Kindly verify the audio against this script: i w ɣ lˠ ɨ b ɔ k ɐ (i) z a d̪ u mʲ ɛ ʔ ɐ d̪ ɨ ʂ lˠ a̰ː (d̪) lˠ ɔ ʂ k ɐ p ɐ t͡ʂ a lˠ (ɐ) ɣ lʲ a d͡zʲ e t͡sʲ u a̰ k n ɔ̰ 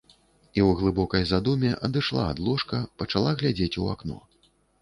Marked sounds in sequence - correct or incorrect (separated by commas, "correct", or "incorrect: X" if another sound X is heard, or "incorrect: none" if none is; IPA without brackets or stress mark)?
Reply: incorrect: j, correct, incorrect: a